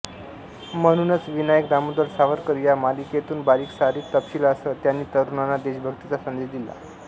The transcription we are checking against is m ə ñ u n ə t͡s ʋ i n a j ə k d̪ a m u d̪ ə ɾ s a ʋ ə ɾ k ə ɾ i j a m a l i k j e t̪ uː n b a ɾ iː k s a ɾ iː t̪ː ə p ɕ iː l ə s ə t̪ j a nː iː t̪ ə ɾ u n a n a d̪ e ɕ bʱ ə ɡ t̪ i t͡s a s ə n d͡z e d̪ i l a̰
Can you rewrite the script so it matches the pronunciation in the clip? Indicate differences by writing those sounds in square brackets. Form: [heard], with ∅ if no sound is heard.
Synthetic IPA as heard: m ə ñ u n ə t͡s ʋ i n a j ə k d̪ a m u d̪ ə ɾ s a ʋ ə ɾ k ə ɾ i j a m a l i k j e t̪ uː n b a ɾ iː k s a ɾ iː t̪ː ə p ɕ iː l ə s ə t̪ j a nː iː t̪ ə ɾ u n a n a d̪ e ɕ bʱ ə ɡ t̪ i t͡s a s ə n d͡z e d̪ i l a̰